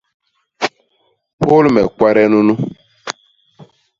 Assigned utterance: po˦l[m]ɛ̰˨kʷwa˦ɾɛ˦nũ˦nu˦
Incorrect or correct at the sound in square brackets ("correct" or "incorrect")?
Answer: correct